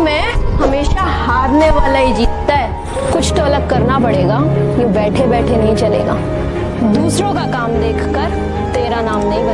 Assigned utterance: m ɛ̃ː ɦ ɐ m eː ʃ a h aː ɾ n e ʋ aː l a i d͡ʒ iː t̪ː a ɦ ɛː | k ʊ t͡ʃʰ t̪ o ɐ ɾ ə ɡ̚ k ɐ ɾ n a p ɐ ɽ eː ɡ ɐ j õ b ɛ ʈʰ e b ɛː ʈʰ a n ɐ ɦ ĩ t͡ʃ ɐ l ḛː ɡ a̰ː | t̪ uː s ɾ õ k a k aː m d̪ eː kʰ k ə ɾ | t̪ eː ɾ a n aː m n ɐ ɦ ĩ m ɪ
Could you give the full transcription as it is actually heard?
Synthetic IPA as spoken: m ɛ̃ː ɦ ɐ m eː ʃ a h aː ɾ n e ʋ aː l a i d͡ʒ iː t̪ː a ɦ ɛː | k ʊ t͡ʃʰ t̪ o ɐ l ə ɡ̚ k ɐ ɾ n a p ɐ ɽ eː ɡ a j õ b ɛː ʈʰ e b ɛː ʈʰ e n ɐ ɦ ĩ t͡ʃ ɐ l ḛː ɡ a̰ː | d̪ uː s ɾ õ k a k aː m d̪ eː kʰ k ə ɾ | t̪ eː ɾ a n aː m n ɐ ɦ ĩ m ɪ